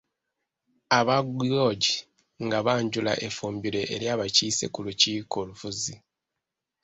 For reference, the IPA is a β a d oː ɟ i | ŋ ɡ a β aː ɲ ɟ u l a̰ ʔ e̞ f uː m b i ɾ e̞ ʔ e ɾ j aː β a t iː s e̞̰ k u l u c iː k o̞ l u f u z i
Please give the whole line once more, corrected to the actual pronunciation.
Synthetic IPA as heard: a β a ɡ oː ɟ i | ŋ ɡ a β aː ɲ ɟ u l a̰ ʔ e̞ f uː m b i ɾ e̞ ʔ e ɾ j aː β a c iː s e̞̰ k u l u c iː k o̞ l u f u z i